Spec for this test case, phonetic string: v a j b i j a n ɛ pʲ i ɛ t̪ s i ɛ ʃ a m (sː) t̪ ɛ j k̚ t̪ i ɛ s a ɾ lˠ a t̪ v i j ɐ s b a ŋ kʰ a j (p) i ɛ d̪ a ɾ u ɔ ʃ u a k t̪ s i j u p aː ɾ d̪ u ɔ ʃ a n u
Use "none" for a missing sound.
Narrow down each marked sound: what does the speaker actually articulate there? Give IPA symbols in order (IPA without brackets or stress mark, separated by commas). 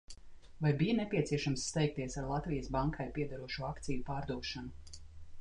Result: sː, p